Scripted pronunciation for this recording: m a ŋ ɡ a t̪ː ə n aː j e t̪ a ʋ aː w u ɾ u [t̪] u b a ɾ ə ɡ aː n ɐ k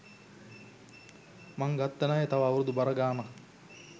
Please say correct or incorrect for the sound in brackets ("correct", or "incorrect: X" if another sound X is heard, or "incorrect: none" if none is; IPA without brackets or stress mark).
incorrect: d̪